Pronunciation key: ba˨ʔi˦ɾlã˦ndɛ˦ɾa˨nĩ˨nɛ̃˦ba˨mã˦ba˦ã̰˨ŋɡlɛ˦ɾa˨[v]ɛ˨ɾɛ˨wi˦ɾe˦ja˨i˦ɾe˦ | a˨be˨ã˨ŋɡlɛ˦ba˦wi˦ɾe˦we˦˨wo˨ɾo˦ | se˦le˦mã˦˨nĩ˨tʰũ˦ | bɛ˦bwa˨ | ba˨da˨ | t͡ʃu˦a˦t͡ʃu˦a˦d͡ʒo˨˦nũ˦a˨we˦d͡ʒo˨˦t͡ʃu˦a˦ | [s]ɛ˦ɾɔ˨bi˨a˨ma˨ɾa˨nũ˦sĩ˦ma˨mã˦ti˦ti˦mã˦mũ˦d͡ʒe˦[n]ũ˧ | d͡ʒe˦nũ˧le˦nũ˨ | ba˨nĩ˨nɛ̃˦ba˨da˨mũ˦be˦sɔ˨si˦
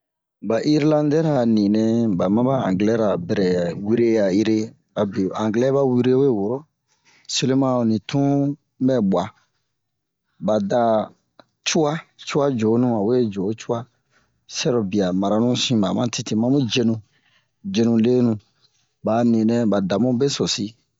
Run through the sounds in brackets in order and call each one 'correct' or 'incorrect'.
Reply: incorrect, correct, correct

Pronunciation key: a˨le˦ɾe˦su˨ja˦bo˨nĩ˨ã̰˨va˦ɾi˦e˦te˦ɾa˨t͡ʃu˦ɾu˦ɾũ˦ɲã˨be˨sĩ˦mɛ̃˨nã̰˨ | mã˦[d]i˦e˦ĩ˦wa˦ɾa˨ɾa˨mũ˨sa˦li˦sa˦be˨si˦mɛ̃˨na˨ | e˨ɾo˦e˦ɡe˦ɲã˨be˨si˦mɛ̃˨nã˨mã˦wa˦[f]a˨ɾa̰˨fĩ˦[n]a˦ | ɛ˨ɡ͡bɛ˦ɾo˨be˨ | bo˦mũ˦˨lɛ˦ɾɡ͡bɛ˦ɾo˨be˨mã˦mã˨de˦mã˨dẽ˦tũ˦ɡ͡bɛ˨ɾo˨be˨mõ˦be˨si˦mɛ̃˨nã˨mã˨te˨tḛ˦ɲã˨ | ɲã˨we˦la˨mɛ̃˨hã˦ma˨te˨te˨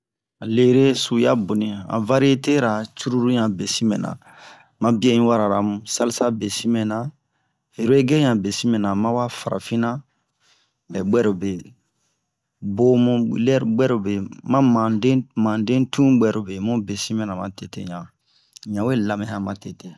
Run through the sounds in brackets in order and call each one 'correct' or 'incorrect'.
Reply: incorrect, correct, correct

